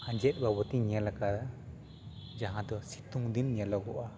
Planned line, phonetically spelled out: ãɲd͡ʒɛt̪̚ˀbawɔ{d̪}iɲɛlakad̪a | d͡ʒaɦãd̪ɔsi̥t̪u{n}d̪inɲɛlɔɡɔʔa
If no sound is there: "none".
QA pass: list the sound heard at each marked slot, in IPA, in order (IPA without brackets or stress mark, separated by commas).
t̪, ŋ